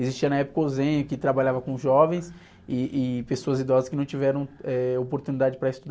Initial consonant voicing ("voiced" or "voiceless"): voiced